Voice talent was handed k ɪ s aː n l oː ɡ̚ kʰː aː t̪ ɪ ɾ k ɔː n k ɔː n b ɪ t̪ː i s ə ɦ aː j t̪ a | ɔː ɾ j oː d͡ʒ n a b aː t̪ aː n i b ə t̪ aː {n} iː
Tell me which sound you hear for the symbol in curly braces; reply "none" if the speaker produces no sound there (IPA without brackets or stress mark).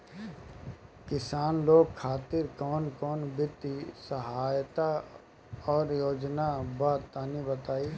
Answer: none